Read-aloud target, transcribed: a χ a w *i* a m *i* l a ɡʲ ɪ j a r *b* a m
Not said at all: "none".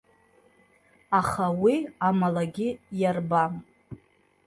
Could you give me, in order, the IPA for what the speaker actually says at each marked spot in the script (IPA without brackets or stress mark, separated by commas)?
i, a, b